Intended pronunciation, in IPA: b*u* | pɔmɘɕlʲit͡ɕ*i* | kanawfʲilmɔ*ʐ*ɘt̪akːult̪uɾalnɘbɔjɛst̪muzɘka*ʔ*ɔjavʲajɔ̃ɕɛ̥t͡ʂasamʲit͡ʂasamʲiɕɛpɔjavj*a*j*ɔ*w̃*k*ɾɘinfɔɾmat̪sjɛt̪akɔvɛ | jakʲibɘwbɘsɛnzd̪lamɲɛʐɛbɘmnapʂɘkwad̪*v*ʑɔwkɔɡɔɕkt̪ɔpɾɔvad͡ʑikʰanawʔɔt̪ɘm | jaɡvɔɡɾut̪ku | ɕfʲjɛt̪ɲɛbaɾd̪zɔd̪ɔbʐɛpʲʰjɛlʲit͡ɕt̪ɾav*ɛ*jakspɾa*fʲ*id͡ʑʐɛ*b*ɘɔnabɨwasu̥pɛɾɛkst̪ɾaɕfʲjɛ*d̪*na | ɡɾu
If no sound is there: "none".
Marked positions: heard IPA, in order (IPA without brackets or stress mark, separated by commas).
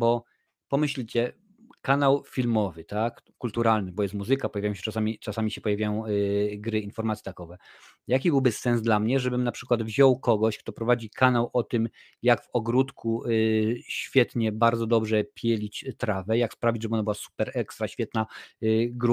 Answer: ɔ, ɛ, v, p, a, ɔ̃, ɡ, v, ɛ, vʲ, b, t̪